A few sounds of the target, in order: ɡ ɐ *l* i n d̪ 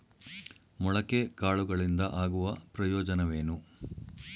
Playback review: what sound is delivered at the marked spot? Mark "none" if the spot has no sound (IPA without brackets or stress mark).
ɭ